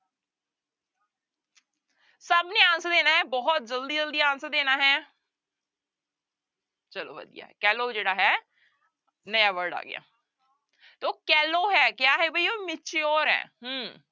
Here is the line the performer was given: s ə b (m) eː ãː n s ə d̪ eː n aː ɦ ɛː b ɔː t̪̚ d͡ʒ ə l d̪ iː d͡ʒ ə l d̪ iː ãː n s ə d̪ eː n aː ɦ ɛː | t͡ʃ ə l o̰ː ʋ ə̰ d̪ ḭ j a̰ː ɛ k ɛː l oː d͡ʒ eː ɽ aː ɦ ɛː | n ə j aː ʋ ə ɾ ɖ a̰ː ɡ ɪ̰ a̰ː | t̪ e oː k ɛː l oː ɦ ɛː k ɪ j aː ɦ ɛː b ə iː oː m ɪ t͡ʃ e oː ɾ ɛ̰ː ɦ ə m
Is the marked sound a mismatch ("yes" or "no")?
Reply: yes